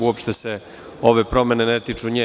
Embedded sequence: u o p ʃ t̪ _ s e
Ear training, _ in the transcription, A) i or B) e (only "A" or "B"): B